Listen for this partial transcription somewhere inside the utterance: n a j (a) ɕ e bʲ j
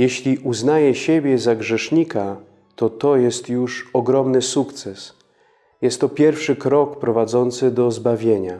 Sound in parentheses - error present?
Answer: yes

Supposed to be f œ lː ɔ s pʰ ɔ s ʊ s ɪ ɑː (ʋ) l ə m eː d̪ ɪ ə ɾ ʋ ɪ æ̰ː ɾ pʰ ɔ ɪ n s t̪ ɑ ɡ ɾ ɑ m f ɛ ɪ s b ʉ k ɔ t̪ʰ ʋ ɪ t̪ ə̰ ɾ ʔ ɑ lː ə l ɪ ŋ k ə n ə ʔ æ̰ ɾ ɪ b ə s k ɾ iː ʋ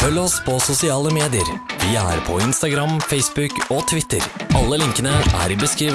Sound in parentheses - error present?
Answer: yes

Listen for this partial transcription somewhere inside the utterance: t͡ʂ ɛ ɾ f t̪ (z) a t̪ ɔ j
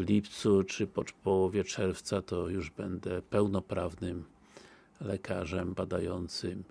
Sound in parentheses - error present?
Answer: yes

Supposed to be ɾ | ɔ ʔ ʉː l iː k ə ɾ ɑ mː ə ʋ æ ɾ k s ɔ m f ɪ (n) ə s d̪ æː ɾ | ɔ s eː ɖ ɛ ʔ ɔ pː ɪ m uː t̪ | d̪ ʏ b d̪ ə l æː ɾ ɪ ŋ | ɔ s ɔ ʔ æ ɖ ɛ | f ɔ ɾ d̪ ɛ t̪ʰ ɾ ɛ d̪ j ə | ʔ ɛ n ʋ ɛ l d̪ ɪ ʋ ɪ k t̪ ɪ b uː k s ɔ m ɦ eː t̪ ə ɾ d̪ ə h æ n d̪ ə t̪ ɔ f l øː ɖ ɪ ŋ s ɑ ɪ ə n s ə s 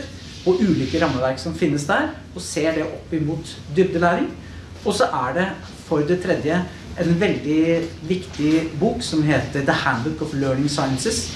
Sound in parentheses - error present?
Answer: yes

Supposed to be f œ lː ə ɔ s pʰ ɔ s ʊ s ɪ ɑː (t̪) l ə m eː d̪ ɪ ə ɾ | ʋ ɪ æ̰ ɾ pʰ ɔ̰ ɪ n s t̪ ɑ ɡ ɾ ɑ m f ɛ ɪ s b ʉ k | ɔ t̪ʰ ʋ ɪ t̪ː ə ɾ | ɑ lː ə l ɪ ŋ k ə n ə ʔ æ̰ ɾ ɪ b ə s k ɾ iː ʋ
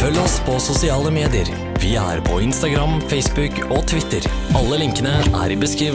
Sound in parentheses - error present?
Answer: yes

